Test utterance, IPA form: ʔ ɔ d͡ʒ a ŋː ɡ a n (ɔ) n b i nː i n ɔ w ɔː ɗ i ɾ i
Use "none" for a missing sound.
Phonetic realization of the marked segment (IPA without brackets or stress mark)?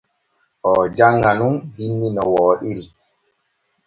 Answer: u